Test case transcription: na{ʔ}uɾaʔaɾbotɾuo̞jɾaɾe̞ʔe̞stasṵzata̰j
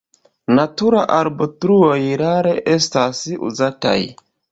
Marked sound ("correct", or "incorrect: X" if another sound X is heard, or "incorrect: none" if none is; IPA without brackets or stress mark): incorrect: t